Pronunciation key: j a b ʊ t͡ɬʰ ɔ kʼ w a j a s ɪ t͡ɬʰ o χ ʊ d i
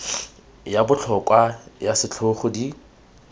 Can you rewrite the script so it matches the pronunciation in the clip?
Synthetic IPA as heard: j a b ʊ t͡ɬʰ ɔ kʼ w a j a s ɪ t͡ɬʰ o χ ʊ d i